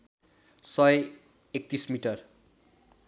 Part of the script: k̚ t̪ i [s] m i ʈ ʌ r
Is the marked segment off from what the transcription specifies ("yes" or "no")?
no